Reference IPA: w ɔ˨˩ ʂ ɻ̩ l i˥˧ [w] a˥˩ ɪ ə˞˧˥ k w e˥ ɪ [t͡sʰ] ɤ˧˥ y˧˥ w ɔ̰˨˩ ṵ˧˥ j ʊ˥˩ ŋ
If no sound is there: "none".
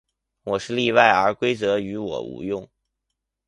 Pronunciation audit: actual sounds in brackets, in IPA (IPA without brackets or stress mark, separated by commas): w, t͡s